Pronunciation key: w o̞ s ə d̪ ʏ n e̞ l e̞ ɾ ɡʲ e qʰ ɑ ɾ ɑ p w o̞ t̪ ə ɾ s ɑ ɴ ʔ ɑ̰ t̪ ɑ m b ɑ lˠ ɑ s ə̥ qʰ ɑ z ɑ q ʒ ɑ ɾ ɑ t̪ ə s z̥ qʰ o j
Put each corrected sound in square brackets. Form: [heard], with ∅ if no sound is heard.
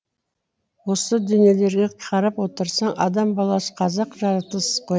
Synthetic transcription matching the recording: w o̞ s ə d̪ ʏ n e̞ l e̞ ɾ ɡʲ e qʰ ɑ ɾ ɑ p w o̞ t̪ ə ɾ s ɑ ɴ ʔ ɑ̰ [d̪] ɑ m b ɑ lˠ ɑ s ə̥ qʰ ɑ z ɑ q ʒ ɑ ɾ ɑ t̪ ə s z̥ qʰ o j